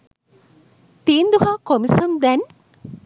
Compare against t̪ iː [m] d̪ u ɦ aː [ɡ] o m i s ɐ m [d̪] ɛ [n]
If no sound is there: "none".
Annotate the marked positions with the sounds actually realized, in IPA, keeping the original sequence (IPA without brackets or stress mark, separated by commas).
n, k, d̪, n